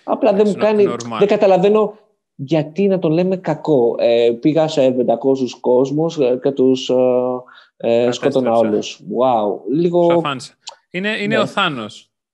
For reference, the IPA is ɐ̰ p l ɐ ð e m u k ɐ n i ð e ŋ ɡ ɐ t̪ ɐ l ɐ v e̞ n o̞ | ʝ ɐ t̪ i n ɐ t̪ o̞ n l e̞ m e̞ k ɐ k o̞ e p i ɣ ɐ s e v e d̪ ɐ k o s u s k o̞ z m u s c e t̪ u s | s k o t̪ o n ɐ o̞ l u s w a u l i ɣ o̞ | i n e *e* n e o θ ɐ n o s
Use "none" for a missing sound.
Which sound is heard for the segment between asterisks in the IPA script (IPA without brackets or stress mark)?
i